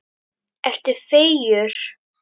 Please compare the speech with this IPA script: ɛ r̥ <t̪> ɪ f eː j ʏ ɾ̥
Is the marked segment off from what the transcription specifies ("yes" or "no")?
no